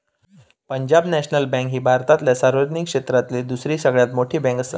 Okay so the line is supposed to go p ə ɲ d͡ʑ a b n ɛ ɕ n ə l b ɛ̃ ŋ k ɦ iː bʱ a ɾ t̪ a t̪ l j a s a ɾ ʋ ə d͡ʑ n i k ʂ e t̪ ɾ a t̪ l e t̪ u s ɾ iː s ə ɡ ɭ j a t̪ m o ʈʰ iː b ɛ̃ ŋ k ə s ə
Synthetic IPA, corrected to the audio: p ə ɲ d͡ʑ a b n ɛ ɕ n ə l b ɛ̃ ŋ k ɦ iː bʱ a ɾ t̪ a t̪ l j a s a ɾ ʋ ə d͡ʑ n i k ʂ e t̪ ɾ a t̪ l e d̪ u s ɾ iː s ə ɡ ɭ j a t̪ m o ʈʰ iː b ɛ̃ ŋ k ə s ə